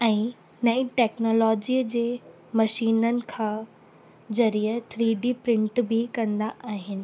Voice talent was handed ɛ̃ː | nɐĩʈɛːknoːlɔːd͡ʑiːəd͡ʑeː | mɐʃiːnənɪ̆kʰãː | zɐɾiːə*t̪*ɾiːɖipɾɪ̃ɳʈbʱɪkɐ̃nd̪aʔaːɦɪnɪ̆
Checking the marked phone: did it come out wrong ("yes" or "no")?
yes